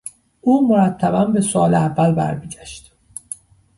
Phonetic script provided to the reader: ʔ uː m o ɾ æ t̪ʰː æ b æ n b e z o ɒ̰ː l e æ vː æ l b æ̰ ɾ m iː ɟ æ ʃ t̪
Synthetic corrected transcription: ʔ uː m o ɾ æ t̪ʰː æ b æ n b e s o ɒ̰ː l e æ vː æ l b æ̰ ɾ m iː ɟ æ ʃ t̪